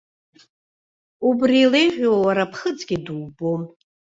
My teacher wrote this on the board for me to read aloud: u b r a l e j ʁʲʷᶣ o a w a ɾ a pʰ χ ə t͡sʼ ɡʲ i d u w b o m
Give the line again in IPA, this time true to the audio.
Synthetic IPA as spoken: u b r i l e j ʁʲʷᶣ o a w a ɾ a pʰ χ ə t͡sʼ ɡʲ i d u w b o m